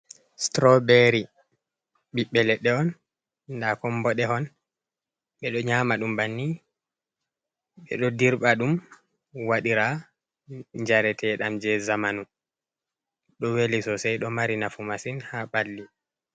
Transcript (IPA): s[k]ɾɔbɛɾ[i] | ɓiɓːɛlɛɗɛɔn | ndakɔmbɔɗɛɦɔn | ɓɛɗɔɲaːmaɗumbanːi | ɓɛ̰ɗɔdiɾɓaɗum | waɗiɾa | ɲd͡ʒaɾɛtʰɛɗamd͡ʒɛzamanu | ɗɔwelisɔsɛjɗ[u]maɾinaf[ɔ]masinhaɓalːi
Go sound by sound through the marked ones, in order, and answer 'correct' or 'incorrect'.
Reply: incorrect, correct, incorrect, incorrect

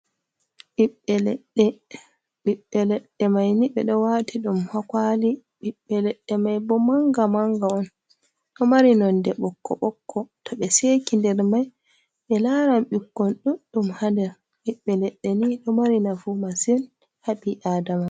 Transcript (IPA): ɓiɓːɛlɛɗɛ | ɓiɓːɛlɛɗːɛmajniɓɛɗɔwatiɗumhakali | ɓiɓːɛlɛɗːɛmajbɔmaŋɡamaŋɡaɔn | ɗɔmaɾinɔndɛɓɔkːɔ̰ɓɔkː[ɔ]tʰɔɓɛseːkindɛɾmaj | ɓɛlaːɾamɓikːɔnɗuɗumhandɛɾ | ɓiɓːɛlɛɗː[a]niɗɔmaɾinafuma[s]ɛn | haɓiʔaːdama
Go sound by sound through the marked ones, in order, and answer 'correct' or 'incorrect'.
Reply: correct, incorrect, correct

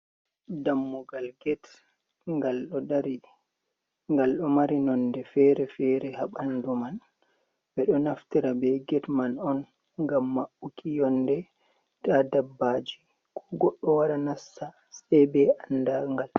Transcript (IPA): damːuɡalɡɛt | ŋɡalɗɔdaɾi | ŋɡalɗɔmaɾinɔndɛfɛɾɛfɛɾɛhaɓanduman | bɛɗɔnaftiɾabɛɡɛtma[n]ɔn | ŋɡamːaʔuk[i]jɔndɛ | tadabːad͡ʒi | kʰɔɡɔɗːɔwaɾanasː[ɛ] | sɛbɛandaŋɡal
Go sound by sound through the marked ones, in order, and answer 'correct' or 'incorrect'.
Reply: correct, correct, incorrect

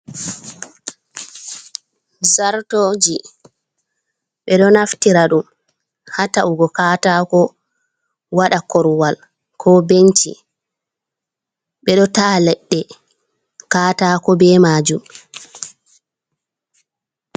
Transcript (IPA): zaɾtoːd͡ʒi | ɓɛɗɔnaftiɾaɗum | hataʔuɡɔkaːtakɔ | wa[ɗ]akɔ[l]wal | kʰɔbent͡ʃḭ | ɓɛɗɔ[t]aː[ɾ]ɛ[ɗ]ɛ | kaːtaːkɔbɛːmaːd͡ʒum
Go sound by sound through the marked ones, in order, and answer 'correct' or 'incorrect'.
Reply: correct, incorrect, correct, incorrect, incorrect

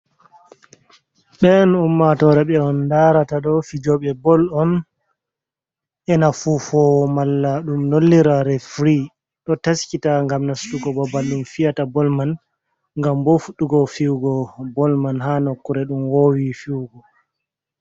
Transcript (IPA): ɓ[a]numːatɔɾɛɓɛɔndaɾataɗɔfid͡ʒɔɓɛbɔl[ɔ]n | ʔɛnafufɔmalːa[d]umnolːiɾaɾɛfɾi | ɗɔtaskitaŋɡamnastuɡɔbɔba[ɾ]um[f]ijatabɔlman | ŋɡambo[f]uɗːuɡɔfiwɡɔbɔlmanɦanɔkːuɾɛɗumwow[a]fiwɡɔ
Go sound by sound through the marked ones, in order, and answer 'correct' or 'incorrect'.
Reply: incorrect, correct, incorrect, incorrect, correct, correct, incorrect

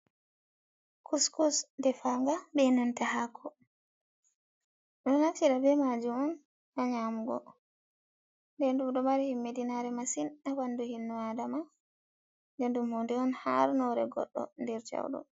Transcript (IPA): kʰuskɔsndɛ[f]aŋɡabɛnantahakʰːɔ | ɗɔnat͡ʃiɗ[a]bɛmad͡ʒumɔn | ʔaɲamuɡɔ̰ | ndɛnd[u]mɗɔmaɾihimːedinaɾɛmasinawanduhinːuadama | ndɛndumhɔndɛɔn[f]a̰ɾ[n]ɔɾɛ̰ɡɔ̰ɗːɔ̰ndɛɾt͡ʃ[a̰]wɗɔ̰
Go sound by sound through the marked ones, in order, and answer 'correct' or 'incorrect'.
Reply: correct, correct, correct, incorrect, correct, correct

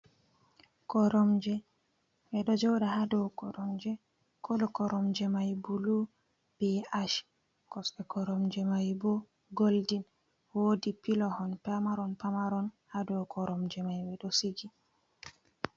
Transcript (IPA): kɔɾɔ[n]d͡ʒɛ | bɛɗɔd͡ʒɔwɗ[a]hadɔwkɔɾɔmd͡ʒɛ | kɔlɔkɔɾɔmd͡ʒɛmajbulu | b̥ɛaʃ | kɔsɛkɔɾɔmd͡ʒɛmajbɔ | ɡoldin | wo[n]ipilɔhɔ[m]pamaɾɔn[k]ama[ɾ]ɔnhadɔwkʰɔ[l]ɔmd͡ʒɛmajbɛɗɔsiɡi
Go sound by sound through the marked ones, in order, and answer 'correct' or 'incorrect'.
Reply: incorrect, correct, incorrect, incorrect, incorrect, correct, incorrect

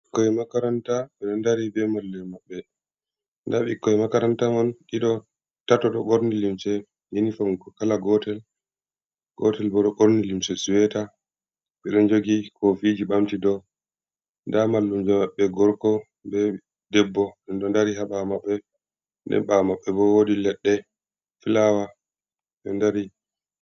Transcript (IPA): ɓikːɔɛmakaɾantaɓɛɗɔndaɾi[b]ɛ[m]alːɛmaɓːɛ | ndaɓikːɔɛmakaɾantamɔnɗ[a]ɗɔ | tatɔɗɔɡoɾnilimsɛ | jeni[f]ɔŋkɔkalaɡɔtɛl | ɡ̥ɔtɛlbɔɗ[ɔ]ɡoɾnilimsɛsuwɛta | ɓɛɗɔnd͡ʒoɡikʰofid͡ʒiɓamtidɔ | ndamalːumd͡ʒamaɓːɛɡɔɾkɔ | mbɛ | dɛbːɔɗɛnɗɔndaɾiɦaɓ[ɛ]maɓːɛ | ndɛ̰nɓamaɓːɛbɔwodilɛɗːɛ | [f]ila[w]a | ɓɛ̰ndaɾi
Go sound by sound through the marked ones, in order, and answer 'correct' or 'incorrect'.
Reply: correct, correct, incorrect, correct, correct, incorrect, correct, correct

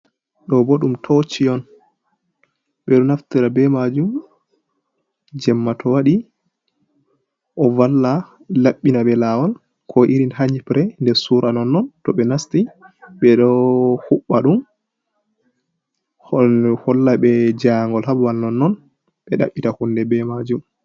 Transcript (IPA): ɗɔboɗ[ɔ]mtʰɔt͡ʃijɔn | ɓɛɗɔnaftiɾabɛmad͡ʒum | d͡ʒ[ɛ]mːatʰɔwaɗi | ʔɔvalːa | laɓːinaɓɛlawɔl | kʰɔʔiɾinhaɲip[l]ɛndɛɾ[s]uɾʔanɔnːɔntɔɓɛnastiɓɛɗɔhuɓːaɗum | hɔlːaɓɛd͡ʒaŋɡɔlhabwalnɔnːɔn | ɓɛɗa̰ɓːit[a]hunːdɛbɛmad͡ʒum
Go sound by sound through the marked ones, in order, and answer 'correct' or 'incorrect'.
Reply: incorrect, correct, incorrect, correct, correct

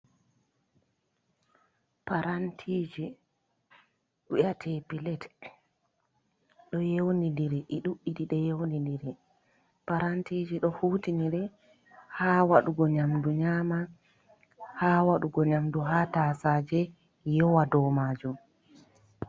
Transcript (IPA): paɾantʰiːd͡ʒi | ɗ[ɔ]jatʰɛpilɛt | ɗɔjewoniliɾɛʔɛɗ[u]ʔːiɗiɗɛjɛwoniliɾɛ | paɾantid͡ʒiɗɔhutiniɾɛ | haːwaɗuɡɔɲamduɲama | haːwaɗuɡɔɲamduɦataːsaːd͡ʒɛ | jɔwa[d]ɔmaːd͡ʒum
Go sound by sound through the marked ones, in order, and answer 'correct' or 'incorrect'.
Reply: incorrect, correct, correct

